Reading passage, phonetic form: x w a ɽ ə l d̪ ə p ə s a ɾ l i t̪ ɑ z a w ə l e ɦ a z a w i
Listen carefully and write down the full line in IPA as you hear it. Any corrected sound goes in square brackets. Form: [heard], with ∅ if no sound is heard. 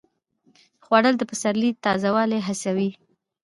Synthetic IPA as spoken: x w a ɽ ə l d̪ ə p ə s a ɾ l i t̪ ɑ z a w [ɑ] l e ɦ a [s] a w i